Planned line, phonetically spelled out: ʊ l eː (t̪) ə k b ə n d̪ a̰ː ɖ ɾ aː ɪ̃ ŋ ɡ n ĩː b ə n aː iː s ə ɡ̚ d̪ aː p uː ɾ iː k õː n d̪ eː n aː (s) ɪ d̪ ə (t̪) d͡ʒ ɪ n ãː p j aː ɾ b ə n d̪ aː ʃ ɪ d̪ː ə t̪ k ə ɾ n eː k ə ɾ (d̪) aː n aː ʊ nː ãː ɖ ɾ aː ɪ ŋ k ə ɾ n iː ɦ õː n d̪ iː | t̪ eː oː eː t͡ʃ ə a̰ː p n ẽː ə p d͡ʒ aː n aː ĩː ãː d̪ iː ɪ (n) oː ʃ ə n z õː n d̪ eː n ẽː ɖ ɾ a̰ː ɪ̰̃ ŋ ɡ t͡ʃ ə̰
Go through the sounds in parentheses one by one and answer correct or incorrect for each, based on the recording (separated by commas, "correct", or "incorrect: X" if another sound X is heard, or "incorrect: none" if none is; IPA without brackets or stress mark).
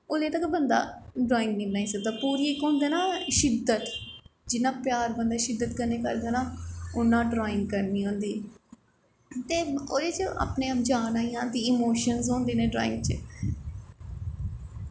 correct, incorrect: ʃ, correct, correct, incorrect: m